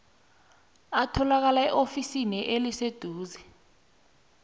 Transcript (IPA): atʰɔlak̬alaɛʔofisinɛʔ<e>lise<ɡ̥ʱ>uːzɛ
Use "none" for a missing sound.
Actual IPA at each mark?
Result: e, d̥ʱ

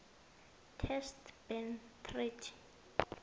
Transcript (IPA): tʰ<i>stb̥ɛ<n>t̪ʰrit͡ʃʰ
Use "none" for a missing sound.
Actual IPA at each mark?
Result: ɛ, n

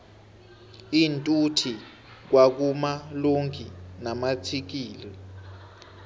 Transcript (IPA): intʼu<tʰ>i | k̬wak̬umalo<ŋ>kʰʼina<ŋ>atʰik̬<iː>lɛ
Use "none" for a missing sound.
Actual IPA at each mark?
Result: tʰ, ŋ, m, iː

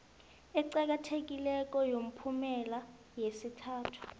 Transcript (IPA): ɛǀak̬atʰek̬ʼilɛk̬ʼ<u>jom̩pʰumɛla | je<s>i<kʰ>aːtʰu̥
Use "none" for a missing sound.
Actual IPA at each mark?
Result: ɔ, s, tʰ

